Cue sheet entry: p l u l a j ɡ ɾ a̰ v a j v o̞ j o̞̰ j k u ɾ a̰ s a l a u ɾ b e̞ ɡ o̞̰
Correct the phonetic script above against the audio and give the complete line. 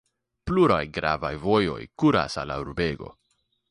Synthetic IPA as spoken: p l u ɾ a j ɡ ɾ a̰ v a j v o̞ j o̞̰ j k u ɾ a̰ s a l a u ɾ b e̞ ɡ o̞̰